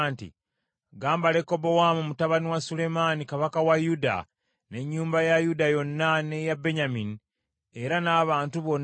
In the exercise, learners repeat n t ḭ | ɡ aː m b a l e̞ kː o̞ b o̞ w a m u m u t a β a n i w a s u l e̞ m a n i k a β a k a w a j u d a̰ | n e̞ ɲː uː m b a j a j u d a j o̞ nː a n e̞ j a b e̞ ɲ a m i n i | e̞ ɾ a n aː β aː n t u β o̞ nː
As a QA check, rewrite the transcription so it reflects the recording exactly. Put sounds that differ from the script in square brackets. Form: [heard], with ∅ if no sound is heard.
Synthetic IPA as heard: n t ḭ | ɡ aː m b a l e̞ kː o̞ b o̞ w a m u m u t a β a n i w a s u l e̞ m a n i k a β a k a w a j u d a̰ | n e̞ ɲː uː m b a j a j u d a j o̞ nː a n e̞ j a b e̞ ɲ a m i n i | e̞ ɾ a n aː β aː n t u β o̞ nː